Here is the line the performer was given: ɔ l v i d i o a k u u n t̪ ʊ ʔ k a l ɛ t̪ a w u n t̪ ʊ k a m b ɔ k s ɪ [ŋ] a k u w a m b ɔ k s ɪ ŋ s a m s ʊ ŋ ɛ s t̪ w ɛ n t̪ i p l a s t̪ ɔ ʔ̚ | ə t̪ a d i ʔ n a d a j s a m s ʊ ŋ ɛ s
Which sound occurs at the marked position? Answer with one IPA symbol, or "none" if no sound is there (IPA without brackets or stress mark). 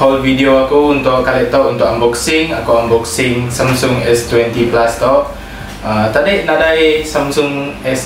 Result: ŋ